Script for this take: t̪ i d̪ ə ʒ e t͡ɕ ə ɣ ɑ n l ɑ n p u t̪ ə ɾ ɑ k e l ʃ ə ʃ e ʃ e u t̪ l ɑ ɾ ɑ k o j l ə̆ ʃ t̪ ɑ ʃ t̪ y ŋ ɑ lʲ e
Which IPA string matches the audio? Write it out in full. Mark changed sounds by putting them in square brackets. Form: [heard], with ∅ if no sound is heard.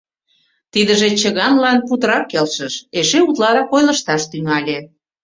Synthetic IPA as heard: t̪ i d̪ ə ʒ e t͡ɕ ə ɣ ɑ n l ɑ n p u t̪ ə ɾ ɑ k e l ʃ ə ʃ e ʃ e u t̪ l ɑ ɾ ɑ k o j l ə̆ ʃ t̪ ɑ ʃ t̪ y ŋ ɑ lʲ e